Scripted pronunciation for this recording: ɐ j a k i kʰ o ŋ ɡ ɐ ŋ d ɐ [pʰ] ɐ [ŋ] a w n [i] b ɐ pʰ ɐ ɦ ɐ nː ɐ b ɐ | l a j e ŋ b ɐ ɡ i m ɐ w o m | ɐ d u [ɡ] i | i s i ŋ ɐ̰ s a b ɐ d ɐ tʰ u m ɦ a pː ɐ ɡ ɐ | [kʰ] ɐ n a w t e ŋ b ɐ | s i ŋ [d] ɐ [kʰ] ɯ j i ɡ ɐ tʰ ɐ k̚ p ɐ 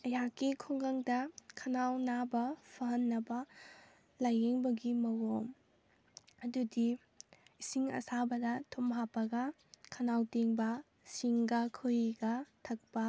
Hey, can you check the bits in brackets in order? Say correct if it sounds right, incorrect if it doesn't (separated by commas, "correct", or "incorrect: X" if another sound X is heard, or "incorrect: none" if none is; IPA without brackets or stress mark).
incorrect: kʰ, incorrect: n, incorrect: a, incorrect: d, correct, incorrect: ɡ, correct